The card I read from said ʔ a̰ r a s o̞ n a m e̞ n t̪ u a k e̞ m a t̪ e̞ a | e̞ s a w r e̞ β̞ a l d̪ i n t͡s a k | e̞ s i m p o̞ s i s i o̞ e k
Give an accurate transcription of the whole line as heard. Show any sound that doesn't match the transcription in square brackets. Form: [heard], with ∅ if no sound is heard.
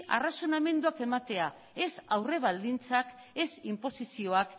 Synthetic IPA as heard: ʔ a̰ r a s o̞ n a m e̞ n [d̪] u a k e̞ m a t̪ e̞ a | e̞ s a w r e̞ β̞ a l d̪ i n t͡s a k | e̞ s i m p o̞ s i s i o̞ [a] k